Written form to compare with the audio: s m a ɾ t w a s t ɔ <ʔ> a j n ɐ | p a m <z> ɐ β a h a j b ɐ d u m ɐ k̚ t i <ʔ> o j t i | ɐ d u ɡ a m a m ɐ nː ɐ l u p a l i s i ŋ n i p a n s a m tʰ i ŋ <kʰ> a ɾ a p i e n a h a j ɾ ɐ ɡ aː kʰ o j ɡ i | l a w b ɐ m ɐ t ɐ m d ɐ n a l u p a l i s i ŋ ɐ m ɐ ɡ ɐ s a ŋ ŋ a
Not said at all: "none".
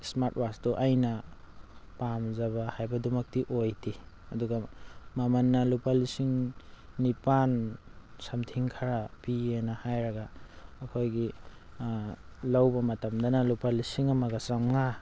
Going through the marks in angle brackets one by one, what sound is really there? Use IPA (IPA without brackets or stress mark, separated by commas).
ʔ, z, ʔ, kʰ